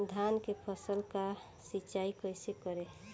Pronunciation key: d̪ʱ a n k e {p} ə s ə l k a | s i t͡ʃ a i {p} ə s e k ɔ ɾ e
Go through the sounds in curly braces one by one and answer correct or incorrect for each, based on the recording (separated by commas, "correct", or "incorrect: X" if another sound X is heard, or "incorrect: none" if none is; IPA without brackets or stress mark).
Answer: incorrect: pʰ, incorrect: k